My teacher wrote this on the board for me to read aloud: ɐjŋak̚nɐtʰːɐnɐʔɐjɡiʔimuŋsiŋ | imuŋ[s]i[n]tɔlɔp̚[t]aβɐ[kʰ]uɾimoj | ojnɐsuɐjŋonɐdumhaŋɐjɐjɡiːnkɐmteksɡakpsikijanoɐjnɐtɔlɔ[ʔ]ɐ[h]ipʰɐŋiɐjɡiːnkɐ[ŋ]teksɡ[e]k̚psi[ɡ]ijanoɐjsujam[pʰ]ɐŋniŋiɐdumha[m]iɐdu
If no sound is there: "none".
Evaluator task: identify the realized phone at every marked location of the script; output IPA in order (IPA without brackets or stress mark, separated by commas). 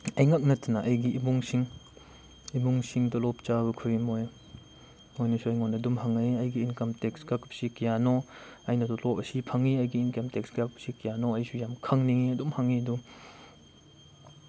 s, ŋ, t͡ʃ, kʰ, p, s, m, a, k, kʰ, ŋ